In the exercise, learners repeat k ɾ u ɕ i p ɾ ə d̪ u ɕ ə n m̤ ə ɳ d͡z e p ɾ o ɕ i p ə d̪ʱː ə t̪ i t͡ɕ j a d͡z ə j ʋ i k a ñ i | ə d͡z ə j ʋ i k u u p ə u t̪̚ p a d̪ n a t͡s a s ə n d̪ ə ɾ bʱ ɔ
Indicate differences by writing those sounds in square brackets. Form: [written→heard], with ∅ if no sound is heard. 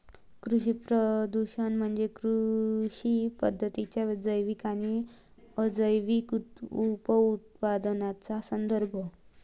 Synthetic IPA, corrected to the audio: k ɾ u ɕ i p ɾ ə d̪ u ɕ ə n m̤ ə ɳ d͡z e [p→k] ɾ [o→u] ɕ i p ə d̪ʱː ə t̪ i t͡ɕ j a d͡z ə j ʋ i k a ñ i | ə d͡z ə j ʋ i k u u p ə u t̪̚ p a d̪ n a t͡s a s ə n d̪ ə ɾ bʱ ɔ